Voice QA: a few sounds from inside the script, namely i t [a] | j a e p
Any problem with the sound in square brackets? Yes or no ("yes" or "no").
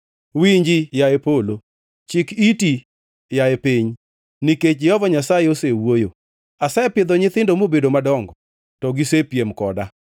yes